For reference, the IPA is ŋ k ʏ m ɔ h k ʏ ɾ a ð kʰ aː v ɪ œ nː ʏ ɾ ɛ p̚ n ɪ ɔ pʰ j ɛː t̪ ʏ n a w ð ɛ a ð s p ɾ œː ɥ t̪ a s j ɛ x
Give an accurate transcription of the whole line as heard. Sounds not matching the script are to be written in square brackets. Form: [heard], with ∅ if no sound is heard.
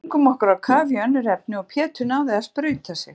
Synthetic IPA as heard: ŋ k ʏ m ɔ h k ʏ ɾ a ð kʰ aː v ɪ œ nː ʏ ɾ ɛ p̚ n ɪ ɔ pʰ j ɛː t̪ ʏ n a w ð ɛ a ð s p ɾ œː ɥ t̪ a s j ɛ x